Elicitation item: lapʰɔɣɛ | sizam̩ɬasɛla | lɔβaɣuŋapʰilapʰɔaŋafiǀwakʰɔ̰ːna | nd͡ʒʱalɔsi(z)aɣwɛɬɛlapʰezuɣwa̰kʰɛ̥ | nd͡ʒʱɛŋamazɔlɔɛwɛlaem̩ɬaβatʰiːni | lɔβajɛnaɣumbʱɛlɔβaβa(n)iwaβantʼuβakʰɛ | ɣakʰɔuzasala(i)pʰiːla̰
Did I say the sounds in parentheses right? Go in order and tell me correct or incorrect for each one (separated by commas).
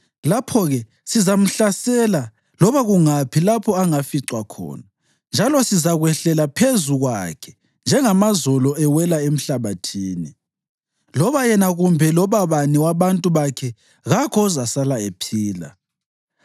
correct, correct, incorrect